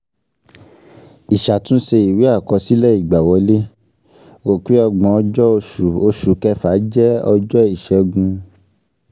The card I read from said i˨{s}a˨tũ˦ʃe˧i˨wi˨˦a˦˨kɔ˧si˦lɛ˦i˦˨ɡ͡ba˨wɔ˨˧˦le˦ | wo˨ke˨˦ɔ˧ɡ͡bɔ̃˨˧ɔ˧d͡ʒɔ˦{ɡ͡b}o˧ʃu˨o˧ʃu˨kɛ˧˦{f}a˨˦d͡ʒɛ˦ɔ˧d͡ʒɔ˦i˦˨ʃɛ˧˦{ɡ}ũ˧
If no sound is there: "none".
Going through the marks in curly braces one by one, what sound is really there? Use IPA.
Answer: ʃ, none, f, ɡ

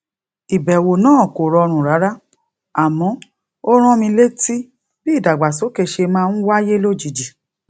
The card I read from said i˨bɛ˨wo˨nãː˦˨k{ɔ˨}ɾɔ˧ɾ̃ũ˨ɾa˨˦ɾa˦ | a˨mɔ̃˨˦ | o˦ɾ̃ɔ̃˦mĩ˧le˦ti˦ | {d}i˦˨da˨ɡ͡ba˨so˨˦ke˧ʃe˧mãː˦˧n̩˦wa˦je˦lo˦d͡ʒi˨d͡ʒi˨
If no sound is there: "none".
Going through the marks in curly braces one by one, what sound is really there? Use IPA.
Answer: o˨, b

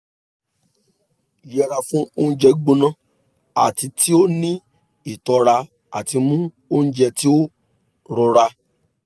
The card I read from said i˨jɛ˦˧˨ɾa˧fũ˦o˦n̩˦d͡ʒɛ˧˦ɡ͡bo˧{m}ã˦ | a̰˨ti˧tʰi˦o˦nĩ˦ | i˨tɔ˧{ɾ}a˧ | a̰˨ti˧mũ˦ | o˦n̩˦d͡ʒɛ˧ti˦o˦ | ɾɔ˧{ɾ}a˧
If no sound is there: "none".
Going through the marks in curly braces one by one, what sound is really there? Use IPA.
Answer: n, ɾ, ɾ

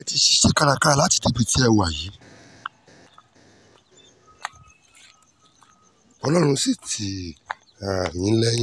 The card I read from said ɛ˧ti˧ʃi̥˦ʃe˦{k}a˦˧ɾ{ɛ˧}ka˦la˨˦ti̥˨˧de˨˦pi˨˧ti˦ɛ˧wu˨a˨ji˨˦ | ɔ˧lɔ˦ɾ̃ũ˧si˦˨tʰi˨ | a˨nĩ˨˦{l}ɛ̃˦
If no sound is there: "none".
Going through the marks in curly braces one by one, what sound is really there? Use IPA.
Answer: k, a˧, l

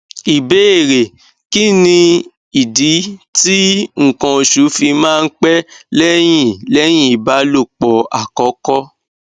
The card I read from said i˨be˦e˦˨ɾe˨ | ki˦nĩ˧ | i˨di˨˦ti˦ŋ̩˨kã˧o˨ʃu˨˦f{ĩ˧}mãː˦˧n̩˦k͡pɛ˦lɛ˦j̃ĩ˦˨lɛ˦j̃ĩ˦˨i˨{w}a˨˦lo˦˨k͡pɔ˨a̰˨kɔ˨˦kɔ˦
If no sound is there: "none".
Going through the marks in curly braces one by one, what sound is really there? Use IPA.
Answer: i˧, b

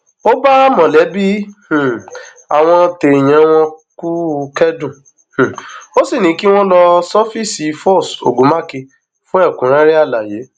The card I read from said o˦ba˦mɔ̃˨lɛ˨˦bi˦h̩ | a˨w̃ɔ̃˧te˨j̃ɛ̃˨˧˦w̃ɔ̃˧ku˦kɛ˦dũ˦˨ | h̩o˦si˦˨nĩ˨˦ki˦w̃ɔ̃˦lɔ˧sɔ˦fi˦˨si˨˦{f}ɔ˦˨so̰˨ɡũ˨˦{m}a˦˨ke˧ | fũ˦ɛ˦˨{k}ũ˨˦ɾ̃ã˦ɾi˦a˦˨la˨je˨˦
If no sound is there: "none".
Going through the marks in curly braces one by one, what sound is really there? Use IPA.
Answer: f, m, k

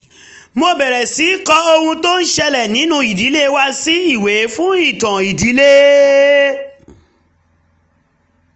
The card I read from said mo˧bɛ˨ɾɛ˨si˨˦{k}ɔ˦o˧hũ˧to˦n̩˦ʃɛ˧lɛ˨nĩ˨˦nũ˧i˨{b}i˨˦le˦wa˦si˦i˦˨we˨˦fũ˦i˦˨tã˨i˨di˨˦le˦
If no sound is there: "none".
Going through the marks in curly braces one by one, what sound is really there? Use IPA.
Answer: k, d

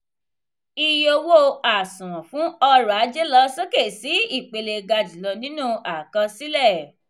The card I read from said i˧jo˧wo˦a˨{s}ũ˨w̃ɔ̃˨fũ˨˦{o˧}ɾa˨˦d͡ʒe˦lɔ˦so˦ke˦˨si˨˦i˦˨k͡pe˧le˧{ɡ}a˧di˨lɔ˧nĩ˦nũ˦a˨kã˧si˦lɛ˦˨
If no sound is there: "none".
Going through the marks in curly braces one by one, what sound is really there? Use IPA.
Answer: s, ɔ˧, ɡ

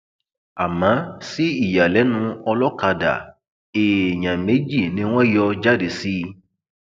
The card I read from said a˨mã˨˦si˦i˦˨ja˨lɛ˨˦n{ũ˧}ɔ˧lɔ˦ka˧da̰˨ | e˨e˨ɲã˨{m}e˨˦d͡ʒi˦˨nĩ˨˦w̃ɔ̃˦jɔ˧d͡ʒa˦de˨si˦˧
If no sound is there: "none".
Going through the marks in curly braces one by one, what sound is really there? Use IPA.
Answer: ũ˧, m

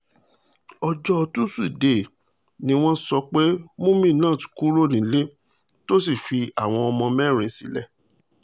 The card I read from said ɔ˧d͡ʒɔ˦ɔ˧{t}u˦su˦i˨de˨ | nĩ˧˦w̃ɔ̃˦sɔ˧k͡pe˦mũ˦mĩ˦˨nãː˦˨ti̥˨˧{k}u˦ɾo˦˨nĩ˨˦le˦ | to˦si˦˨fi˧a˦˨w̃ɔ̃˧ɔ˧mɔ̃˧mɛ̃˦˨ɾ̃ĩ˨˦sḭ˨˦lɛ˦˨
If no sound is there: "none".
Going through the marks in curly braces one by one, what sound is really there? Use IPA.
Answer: t, k

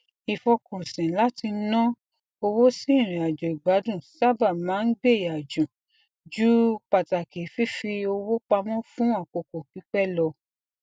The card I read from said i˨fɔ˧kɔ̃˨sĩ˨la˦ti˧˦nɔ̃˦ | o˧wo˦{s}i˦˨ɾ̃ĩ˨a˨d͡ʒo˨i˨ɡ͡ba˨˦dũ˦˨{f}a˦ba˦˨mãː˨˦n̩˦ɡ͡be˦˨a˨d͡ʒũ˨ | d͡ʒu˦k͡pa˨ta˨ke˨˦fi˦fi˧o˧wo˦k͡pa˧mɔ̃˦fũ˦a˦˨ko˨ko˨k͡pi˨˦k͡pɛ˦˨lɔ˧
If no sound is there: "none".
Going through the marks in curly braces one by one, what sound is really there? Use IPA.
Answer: s, s

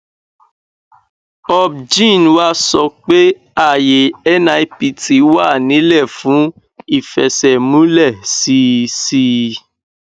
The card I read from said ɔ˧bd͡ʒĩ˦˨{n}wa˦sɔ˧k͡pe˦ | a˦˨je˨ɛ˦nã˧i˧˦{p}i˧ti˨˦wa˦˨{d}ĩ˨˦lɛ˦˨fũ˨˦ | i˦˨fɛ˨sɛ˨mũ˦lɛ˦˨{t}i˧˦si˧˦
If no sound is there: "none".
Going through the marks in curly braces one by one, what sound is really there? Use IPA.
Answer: n, p, n, s

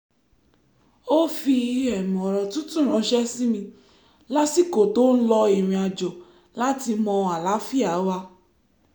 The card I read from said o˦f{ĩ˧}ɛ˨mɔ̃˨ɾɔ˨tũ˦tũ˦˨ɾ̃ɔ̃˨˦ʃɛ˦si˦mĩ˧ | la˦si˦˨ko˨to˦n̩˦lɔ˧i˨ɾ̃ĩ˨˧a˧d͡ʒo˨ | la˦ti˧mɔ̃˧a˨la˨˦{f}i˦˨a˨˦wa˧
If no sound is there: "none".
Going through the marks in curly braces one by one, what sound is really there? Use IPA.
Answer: i˧, f

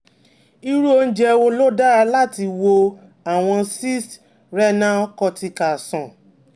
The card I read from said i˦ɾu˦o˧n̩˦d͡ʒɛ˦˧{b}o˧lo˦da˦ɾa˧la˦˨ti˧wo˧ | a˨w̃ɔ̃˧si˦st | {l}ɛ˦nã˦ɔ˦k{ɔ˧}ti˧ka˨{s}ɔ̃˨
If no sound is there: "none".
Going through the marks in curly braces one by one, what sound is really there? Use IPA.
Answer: w, ɾ, ɔ˧, s

